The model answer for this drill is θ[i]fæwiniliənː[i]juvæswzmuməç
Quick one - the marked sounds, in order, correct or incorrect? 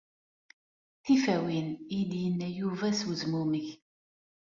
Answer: correct, incorrect

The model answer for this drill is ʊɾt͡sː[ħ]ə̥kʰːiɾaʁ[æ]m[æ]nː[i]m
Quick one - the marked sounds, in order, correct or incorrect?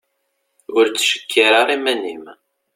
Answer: incorrect, incorrect, correct, correct

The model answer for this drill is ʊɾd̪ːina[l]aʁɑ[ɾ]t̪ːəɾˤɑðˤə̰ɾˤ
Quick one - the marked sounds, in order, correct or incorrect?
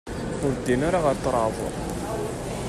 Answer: incorrect, correct

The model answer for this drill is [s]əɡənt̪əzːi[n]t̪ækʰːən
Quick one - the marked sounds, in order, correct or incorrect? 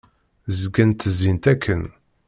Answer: incorrect, correct

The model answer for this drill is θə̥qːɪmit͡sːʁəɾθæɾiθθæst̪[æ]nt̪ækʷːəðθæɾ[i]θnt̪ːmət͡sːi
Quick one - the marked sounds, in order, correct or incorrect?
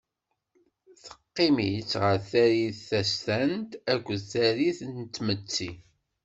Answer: correct, correct

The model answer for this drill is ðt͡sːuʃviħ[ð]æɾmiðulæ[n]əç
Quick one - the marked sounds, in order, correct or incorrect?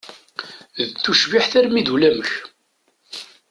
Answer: incorrect, incorrect

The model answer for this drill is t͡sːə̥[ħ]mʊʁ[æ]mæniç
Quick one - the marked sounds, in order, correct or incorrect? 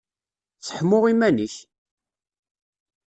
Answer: correct, incorrect

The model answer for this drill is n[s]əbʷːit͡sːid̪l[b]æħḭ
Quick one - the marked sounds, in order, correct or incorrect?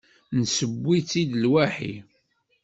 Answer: correct, incorrect

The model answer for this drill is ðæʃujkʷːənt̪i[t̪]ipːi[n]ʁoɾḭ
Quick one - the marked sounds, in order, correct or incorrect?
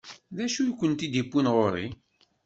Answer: incorrect, correct

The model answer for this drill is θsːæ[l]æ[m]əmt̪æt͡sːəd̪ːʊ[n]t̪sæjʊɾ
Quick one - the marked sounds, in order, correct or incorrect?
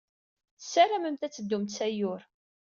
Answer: incorrect, correct, incorrect

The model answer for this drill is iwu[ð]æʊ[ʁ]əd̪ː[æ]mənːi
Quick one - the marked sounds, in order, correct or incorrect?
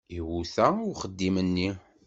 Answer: incorrect, incorrect, incorrect

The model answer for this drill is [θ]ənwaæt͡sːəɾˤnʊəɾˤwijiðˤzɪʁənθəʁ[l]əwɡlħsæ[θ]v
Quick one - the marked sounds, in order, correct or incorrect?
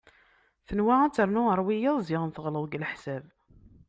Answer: correct, correct, incorrect

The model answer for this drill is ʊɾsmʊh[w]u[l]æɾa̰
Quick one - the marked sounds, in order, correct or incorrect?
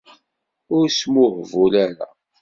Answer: incorrect, correct

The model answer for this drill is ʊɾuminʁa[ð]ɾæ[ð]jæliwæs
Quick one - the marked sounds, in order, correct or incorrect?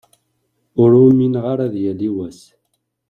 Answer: incorrect, correct

